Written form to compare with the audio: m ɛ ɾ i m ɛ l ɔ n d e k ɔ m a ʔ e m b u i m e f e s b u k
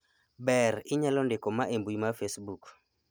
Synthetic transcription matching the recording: b ɛ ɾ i ɲ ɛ l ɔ n d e k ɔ m a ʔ e m b u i m a f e s b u k